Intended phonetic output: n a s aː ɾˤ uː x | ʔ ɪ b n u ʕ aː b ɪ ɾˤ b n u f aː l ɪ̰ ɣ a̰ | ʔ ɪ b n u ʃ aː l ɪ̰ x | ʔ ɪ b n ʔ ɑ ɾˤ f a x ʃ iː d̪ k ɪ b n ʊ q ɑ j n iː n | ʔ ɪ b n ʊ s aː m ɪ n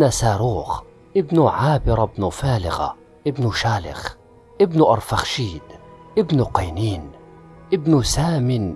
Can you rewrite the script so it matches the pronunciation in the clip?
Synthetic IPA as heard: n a s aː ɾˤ uː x | ʔ ɪ b n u ʕ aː b ɪ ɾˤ b n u f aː l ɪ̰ ɣ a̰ | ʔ ɪ b n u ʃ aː l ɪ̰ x | ʔ ɪ b n ʔ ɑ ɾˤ f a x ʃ iː d̪ ʔ ɪ b n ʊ q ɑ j n iː n | ʔ ɪ b n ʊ s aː m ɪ n